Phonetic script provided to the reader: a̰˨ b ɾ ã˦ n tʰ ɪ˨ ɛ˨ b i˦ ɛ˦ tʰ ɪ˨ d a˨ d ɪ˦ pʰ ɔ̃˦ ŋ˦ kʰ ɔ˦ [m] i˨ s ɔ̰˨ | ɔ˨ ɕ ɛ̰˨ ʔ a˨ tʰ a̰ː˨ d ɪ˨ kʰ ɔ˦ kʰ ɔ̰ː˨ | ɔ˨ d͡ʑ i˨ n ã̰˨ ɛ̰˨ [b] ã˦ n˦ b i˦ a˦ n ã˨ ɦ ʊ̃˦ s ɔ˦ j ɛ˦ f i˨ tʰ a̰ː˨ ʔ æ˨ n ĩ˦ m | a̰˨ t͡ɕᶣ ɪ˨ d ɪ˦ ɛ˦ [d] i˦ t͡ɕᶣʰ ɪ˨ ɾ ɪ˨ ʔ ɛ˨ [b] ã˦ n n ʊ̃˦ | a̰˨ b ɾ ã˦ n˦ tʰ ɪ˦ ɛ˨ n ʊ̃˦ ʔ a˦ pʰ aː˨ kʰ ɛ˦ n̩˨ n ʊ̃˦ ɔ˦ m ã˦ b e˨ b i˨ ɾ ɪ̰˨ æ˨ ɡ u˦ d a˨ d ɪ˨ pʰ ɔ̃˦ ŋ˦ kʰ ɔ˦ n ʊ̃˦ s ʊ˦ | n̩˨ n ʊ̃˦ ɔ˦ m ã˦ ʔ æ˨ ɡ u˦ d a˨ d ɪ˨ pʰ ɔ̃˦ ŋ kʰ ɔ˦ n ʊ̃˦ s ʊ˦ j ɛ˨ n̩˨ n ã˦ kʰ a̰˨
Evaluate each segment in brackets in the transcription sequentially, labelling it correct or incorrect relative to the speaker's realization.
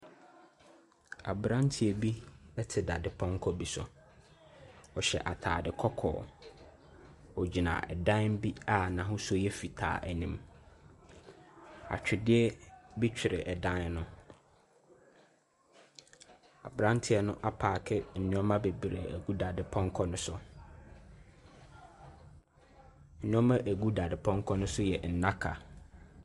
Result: incorrect: b, incorrect: d, incorrect: b, incorrect: d

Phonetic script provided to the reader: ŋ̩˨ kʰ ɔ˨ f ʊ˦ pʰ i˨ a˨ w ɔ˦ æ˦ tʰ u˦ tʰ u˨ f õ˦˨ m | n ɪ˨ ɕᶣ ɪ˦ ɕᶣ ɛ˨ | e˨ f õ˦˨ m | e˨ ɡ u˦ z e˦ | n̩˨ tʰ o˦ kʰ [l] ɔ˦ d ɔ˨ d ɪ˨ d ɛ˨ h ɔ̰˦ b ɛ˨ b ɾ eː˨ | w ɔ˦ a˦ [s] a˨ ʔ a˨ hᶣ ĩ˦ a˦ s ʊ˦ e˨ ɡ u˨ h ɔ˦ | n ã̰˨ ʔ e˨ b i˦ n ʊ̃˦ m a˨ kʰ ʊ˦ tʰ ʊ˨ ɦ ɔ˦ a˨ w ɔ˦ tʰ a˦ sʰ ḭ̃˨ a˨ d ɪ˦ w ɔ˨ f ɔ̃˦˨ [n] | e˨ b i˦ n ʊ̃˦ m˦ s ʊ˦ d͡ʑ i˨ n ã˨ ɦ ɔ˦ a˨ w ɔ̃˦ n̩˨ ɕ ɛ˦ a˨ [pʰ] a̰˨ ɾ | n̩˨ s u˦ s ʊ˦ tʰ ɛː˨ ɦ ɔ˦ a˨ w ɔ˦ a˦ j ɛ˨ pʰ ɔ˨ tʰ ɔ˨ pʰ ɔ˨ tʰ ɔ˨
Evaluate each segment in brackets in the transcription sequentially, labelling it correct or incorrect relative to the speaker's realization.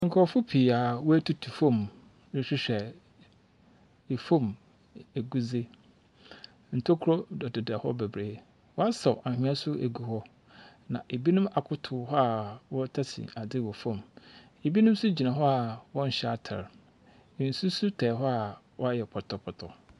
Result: incorrect: ɾ, correct, incorrect: m, incorrect: tʰ

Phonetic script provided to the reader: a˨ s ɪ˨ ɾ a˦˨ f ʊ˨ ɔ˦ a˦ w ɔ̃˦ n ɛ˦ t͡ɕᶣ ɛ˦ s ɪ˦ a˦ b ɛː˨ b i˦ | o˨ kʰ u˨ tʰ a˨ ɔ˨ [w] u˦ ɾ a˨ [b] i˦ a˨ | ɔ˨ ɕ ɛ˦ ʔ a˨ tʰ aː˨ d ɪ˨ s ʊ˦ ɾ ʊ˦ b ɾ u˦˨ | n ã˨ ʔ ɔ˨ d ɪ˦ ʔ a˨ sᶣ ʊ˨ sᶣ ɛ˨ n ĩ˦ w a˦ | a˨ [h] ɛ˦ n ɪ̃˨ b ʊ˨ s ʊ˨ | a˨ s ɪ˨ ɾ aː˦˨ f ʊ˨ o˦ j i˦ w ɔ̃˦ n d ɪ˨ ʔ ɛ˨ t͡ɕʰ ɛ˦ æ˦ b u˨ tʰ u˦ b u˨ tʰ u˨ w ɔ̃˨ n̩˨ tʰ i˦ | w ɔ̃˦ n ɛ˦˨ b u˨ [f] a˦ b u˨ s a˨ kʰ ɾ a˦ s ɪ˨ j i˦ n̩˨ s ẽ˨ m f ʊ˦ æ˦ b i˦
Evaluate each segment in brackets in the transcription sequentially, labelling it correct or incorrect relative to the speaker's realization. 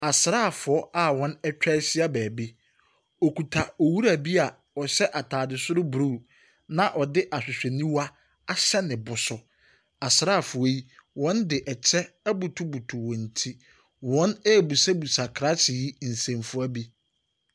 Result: correct, correct, incorrect: ɕ, incorrect: s

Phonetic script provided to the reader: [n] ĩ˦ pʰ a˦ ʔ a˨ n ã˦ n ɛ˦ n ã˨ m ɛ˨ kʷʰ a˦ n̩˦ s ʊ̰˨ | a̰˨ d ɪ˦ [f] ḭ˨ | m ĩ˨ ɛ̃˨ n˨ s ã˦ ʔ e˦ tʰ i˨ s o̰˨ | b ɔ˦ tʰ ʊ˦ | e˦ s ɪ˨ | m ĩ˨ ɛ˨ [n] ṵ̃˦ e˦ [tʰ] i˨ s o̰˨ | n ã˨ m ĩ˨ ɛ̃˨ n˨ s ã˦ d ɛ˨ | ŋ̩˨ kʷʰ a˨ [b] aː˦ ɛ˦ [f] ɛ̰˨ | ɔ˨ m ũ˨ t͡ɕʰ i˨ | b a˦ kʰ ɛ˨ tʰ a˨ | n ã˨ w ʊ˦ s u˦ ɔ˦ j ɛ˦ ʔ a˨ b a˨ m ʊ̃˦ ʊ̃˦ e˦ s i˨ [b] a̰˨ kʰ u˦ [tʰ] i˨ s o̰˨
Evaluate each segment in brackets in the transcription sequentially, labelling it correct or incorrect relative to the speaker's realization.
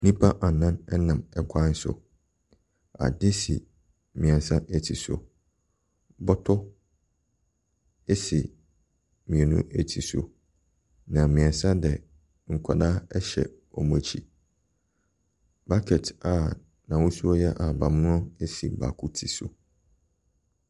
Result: correct, incorrect: s, correct, correct, incorrect: d, incorrect: ɕ, correct, correct

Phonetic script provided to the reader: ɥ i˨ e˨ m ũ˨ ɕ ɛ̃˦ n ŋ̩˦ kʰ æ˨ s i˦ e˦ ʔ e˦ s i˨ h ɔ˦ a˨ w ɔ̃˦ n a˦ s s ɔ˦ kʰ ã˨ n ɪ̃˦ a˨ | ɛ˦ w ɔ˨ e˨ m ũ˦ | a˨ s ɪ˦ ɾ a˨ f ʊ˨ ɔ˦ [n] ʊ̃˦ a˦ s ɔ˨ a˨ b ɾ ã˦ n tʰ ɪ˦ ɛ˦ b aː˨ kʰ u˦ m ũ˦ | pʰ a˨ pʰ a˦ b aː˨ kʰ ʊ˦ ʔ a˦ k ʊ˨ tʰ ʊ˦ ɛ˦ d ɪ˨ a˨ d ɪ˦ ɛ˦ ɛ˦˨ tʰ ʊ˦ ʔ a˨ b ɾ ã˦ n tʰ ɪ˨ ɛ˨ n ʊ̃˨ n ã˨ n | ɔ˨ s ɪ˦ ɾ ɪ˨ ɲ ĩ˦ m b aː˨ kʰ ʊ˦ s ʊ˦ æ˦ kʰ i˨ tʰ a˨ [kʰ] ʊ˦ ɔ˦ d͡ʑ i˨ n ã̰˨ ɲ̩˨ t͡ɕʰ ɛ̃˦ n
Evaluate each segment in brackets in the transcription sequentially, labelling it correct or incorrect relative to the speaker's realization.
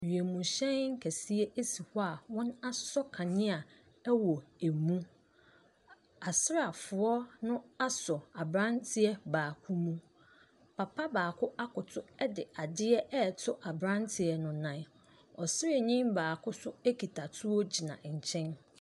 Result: correct, incorrect: tʰ

